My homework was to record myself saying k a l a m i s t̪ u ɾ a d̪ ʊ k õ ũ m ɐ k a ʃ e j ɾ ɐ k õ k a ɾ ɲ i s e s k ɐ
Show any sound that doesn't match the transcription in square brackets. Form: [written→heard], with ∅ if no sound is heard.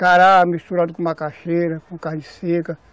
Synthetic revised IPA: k a [l→ɾ] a m i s t̪ u ɾ a d̪ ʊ k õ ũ m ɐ k a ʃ e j ɾ ɐ k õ k a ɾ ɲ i s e [s→∅] k ɐ